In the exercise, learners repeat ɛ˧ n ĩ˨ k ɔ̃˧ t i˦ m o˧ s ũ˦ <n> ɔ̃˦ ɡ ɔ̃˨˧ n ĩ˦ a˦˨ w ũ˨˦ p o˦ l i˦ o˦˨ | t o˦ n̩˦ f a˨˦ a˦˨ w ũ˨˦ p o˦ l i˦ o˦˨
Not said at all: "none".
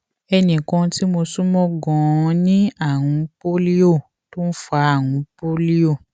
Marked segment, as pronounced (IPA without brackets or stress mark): m